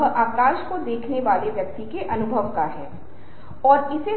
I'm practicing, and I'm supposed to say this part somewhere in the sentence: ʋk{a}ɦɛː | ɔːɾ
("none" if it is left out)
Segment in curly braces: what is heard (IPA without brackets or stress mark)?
a